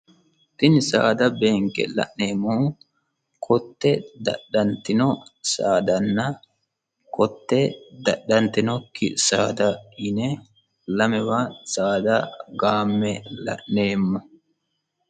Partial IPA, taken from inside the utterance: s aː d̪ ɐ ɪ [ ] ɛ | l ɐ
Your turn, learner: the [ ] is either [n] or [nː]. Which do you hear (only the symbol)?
n